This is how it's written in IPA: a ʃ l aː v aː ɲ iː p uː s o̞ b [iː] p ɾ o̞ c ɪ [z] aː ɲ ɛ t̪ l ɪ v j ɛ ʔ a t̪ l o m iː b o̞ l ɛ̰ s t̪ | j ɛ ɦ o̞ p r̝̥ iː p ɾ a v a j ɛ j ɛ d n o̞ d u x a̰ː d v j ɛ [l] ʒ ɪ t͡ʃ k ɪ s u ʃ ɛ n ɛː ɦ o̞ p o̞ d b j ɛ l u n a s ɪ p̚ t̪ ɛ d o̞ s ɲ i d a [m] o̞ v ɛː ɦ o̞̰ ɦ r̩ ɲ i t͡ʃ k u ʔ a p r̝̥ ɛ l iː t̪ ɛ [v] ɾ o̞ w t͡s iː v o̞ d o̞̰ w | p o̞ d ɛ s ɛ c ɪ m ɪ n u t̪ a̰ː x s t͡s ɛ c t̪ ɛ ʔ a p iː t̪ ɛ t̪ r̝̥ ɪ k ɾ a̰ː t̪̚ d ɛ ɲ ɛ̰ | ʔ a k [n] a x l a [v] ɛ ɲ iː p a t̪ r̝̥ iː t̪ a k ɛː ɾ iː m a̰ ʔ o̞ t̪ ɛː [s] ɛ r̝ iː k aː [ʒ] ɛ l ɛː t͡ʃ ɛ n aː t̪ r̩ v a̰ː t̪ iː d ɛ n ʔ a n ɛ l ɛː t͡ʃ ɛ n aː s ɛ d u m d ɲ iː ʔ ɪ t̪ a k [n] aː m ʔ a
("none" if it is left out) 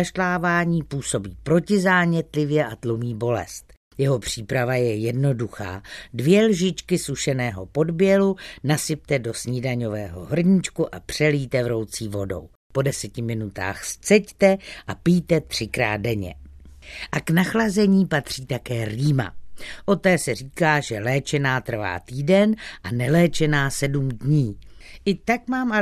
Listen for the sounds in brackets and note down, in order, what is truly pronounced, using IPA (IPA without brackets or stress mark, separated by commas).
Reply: iː, z, l, ɲ, v, n, z, s, ʒ, m